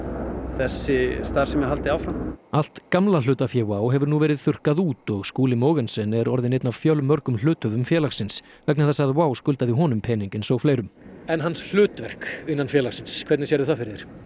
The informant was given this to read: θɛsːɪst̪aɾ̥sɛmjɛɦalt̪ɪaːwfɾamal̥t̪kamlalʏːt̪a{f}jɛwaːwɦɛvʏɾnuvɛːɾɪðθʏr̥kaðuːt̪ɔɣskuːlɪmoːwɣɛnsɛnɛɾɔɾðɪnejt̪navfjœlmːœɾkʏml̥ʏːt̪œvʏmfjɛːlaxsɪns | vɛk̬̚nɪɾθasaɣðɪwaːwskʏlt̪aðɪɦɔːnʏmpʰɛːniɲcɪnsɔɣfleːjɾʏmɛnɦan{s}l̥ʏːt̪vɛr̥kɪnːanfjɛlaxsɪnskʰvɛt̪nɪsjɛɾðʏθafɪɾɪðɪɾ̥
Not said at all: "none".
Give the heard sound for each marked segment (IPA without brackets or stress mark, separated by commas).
f, s